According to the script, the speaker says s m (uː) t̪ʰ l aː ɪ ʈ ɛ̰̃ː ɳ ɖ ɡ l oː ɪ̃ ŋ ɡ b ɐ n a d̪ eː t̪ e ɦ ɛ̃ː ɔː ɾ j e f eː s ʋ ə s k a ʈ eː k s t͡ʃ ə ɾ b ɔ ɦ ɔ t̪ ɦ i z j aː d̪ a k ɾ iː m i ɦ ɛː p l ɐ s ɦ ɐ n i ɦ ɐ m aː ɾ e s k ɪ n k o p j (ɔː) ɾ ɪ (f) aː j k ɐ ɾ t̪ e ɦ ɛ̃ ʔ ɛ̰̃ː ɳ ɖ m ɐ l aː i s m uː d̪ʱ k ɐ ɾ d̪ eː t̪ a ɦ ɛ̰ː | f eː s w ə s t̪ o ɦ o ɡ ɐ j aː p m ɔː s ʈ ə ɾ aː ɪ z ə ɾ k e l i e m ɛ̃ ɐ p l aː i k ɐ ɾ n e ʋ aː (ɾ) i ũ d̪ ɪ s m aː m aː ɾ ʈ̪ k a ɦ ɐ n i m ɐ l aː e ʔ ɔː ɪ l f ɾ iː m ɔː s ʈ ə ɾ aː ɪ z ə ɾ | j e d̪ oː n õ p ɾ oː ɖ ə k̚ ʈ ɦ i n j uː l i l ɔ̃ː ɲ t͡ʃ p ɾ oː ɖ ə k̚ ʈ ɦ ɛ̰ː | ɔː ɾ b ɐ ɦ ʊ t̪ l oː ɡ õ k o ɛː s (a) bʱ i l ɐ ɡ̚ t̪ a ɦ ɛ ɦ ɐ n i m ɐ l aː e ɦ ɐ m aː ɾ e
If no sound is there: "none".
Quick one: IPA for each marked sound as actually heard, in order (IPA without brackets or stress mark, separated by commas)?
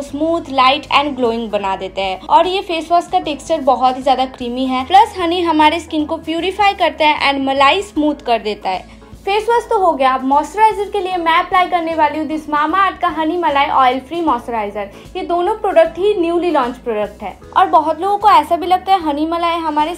uː, uː, f, l, a